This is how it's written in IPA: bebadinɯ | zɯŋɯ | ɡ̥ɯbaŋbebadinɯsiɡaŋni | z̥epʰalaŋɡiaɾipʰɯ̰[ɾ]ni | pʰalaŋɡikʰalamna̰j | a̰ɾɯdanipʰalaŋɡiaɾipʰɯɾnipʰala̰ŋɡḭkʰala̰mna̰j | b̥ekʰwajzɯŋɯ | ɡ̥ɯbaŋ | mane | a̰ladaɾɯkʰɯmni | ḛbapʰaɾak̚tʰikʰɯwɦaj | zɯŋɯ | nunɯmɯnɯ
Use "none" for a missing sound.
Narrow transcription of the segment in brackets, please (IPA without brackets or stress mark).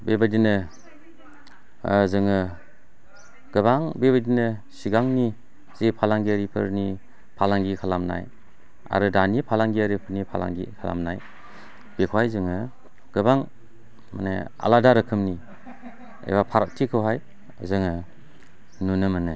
ɾ